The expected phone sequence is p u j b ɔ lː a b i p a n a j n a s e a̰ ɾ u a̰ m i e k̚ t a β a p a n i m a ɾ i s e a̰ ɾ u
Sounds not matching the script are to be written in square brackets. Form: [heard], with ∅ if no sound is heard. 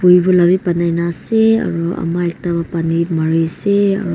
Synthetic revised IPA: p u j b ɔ [l] a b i p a n a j n a s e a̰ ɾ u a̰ m [a] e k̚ t a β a p a n i m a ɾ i s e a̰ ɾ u